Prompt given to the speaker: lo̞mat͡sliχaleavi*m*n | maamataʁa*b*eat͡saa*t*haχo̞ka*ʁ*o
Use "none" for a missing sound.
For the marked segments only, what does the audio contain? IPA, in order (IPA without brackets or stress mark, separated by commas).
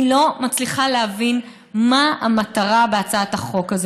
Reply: none, b, t, z